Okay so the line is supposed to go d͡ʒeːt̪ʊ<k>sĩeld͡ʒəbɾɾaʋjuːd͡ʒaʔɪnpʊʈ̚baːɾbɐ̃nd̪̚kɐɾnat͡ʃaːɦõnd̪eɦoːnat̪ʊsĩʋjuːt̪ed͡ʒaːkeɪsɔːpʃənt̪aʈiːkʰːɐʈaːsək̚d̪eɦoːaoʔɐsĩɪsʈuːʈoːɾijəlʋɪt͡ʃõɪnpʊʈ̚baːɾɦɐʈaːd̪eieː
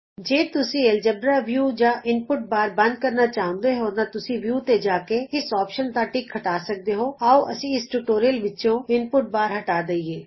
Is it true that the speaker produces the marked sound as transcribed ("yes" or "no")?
no